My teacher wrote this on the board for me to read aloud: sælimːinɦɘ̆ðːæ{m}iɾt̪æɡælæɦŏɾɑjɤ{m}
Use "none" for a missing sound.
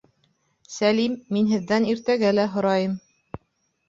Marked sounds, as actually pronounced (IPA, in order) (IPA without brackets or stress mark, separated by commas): n, m